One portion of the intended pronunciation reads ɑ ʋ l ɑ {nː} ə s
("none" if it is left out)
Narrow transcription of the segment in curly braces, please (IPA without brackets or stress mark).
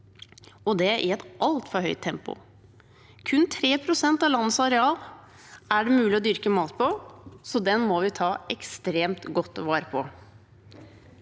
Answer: nː